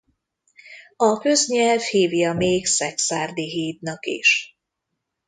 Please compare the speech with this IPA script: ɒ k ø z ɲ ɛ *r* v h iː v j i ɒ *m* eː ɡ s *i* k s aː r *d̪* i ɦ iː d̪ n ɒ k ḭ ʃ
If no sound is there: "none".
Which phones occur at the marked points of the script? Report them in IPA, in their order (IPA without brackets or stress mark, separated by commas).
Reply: l, m, ɛ, d̪